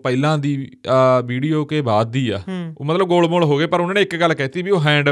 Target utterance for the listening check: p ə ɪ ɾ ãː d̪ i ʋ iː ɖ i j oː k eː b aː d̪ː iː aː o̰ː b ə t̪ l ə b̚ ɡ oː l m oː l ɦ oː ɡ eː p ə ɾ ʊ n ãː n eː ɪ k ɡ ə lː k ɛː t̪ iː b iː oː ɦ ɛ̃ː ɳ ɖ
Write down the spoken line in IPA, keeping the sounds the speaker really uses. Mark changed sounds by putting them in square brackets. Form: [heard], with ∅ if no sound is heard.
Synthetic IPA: p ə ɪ [l] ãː d̪ [iː] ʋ iː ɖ i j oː k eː b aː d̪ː iː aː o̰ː [m] ə t̪ l ə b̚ ɡ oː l m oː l ɦ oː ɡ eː p ə ɾ ʊ n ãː n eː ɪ k ɡ ə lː k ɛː t̪ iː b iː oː ɦ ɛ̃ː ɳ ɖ